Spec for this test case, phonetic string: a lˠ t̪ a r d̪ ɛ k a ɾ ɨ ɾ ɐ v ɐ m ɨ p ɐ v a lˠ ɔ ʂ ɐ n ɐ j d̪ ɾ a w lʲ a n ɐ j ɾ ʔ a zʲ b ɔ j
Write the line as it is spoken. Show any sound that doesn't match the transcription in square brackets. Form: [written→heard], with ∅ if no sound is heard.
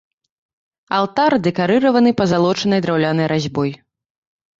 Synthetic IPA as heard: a lˠ t̪ a r d̪ ɛ k a ɾ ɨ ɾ ɐ v ɐ [m→n] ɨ p ɐ [v→z] a lˠ ɔ [ʂ→t͡ʂ] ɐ n ɐ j d̪ ɾ a w lʲ a n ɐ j ɾ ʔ a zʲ b ɔ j

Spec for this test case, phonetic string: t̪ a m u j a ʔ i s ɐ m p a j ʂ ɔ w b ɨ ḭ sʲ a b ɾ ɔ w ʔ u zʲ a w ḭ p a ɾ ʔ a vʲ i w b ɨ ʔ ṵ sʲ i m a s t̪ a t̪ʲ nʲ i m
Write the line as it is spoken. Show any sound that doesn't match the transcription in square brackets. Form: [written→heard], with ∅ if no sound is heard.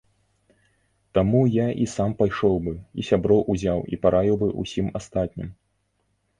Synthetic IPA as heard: t̪ a m u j a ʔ i s [ɐ→a] m p a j ʂ ɔ w b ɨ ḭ sʲ a b ɾ ɔ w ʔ u zʲ a w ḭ p a ɾ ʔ a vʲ i w b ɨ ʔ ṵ sʲ i m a s t̪ a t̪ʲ nʲ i m

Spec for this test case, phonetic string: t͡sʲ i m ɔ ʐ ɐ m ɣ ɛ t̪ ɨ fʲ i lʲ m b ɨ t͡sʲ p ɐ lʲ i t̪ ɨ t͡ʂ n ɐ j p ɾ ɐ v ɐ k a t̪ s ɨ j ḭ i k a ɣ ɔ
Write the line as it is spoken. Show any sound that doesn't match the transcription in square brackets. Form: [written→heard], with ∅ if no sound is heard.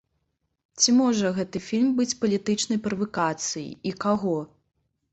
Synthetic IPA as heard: t͡sʲ i m ɔ ʐ ɐ [m→∅] ɣ ɛ t̪ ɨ fʲ i lʲ m b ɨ t͡sʲ p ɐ lʲ i t̪ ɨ t͡ʂ n ɐ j p ɾ ɐ v ɐ k a t̪ s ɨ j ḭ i k a ɣ ɔ

